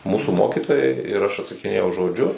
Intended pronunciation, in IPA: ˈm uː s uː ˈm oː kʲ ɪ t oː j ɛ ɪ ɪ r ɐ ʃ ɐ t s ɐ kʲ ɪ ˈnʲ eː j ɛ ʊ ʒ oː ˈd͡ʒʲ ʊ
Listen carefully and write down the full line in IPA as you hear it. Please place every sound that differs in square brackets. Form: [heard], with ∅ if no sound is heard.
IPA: ˈm uː s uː ˈm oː kʲ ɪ t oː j ɛ ɪ ɪ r ɐ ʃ ɐ t s ɐ kʲ ɪ ˈnʲ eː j ɛ ʊ ʒ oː ˈd͡ʒʲ ʊ